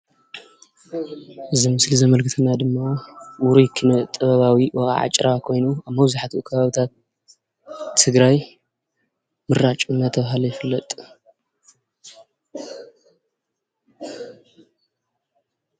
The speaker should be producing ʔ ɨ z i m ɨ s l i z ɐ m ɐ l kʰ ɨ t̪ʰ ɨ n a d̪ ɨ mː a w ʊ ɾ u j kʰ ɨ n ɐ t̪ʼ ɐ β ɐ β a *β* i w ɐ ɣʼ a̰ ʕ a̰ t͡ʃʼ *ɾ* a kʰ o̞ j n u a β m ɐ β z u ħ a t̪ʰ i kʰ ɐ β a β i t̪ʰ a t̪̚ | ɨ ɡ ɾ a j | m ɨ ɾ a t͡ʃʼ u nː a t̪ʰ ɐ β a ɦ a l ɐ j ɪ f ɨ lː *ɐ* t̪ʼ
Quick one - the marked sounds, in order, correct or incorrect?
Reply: incorrect, correct, correct

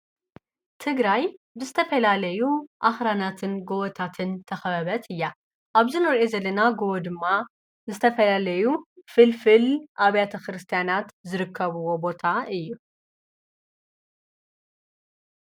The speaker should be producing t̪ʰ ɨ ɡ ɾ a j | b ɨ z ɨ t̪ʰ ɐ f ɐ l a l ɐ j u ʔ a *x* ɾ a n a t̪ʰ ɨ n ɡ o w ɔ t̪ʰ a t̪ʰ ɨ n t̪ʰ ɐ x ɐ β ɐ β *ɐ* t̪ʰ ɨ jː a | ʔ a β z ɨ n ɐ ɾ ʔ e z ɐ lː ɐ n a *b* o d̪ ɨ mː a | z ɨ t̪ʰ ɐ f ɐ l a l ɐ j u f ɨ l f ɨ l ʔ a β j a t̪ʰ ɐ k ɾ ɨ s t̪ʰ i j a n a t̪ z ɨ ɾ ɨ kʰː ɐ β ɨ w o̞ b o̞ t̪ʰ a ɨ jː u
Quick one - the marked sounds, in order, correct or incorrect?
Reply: correct, correct, incorrect

